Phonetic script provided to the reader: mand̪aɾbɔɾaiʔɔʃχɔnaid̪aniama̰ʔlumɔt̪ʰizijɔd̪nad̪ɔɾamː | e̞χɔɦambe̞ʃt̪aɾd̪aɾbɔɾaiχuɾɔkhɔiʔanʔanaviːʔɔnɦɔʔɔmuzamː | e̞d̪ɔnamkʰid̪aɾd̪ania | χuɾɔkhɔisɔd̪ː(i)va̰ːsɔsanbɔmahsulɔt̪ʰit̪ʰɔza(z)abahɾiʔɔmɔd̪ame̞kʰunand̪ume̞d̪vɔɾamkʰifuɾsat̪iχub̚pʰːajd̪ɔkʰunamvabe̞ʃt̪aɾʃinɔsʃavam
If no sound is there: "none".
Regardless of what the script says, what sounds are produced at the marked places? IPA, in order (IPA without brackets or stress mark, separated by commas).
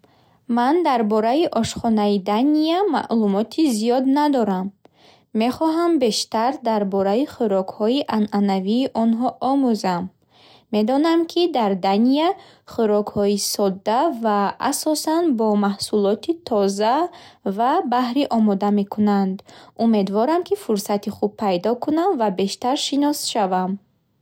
a, v